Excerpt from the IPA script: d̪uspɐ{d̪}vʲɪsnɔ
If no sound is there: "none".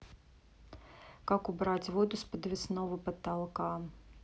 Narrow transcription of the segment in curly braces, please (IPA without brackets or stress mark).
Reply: d̪